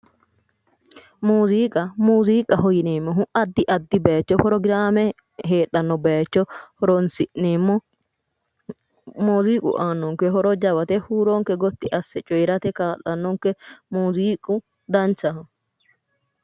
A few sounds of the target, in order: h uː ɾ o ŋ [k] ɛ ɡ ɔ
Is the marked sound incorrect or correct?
correct